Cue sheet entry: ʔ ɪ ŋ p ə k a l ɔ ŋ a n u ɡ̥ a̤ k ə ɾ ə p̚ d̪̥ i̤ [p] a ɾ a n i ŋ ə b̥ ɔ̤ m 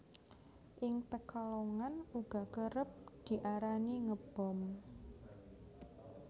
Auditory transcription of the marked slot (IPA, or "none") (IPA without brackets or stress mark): ʔ